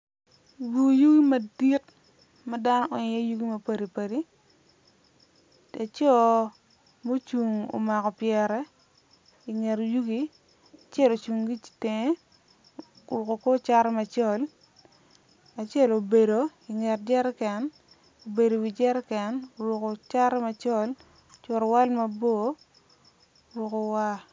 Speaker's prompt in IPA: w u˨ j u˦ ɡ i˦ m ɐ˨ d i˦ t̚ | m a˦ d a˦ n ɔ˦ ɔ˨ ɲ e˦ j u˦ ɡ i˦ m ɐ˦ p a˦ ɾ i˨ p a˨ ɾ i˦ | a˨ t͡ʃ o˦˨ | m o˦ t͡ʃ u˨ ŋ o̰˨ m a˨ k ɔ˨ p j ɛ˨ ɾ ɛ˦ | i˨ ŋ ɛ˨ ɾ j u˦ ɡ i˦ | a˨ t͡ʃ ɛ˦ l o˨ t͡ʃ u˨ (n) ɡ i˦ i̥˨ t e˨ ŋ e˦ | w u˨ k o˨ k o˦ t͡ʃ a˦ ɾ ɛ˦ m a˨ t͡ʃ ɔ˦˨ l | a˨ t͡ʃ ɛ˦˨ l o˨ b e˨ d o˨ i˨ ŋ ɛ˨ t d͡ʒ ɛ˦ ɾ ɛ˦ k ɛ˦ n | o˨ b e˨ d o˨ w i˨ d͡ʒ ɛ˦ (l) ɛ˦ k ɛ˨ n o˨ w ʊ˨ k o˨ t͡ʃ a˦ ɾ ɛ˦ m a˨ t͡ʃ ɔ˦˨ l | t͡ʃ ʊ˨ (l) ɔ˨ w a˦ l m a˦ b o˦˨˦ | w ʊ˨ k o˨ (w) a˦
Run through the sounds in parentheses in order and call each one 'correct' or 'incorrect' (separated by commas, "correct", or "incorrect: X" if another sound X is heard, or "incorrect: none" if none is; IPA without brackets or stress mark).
incorrect: ŋ, incorrect: ɾ, incorrect: ɾ, correct